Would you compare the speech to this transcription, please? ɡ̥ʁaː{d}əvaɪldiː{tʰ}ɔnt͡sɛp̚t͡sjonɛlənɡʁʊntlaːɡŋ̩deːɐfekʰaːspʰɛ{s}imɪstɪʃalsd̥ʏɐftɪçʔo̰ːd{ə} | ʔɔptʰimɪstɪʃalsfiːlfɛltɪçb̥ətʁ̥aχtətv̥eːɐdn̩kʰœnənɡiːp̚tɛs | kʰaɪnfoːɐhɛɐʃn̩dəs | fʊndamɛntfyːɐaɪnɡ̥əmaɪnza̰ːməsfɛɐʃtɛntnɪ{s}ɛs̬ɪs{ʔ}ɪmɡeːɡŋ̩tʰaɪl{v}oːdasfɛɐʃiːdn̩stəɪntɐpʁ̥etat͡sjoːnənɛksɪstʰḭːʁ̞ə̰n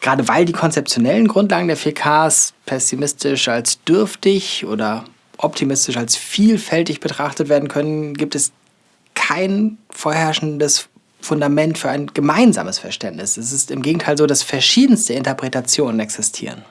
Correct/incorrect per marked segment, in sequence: correct, incorrect: kʰ, correct, incorrect: ɐ, correct, incorrect: t, incorrect: z

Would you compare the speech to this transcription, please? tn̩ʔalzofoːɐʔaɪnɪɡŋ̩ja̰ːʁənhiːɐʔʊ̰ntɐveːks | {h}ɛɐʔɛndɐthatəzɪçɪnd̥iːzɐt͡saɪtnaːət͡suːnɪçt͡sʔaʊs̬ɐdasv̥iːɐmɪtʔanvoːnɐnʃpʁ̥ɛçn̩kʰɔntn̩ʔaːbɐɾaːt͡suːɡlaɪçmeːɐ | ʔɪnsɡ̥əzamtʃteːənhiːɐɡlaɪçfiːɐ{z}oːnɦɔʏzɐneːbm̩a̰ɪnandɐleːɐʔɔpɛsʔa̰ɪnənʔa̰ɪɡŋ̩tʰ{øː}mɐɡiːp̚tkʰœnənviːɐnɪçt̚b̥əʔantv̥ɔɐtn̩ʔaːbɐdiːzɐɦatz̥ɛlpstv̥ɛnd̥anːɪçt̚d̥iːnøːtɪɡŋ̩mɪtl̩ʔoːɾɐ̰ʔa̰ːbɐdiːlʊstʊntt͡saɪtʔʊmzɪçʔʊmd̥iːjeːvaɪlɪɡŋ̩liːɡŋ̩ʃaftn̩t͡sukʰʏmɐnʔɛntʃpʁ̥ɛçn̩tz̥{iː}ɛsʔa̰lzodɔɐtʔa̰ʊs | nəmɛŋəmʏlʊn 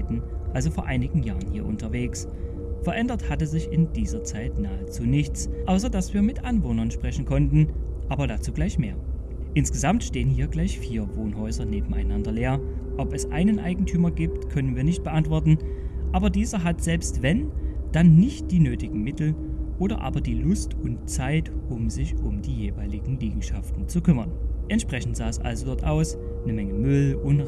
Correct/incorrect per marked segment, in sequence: incorrect: f, incorrect: v, incorrect: yː, incorrect: aː

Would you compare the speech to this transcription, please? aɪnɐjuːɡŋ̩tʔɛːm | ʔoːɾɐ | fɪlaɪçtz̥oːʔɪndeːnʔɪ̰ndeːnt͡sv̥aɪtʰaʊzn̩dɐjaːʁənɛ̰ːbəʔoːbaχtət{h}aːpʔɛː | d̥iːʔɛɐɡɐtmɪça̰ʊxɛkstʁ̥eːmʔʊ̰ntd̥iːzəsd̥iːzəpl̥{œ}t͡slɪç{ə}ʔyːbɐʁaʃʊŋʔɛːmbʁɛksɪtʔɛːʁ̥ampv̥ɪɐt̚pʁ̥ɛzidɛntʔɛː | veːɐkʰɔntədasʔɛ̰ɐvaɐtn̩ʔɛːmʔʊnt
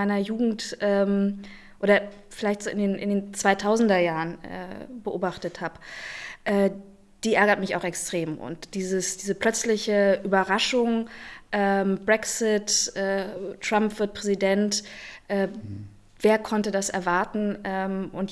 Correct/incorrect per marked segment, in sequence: correct, correct, correct

